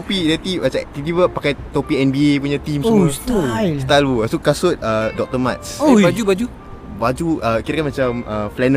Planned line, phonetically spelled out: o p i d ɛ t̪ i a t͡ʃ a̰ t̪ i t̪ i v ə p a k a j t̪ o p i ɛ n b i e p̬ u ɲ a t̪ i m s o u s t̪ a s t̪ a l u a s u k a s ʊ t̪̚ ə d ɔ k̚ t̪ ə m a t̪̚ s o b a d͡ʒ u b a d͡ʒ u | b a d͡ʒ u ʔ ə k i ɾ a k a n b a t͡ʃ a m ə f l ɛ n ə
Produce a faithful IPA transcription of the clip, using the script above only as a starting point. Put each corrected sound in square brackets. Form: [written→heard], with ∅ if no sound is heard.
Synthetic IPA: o p i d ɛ t̪ i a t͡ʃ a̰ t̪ i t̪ i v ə p a k a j t̪ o p i ɛ n b i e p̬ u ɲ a t̪ i m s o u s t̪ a s t̪ a l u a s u k a s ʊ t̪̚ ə d ɔ k̚ t̪ ə m a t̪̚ s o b a d͡ʒ u b a d͡ʒ u | b a d͡ʒ u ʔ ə k i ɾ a k a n [b→m] a t͡ʃ a m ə f l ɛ n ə